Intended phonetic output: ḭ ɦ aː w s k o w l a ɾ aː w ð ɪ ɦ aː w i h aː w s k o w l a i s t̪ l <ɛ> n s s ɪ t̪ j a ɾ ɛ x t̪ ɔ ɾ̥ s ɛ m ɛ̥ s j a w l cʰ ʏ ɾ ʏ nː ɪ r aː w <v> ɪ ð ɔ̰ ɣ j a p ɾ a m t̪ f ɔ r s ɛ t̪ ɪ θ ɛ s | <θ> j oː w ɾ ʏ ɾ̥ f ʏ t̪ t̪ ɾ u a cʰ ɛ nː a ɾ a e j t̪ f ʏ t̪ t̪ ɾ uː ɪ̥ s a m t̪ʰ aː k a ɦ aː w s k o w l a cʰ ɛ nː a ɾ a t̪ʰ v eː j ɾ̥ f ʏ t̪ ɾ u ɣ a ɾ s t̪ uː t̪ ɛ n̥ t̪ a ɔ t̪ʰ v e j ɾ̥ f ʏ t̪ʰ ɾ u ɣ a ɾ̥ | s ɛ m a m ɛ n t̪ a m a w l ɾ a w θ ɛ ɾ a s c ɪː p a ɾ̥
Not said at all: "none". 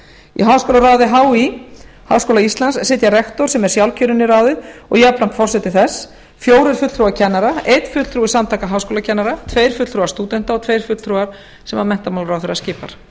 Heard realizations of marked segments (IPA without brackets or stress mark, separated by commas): a, ð, f